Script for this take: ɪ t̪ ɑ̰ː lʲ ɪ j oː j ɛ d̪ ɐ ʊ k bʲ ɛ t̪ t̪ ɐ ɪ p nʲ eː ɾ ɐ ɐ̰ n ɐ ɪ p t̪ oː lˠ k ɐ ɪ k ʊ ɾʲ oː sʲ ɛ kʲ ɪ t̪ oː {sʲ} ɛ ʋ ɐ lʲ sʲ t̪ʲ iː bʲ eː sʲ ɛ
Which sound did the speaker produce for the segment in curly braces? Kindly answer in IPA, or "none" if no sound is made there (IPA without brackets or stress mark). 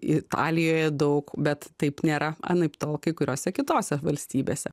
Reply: sʲ